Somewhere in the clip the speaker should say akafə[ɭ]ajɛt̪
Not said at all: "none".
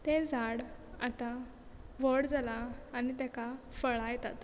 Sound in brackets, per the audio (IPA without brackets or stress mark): ɭ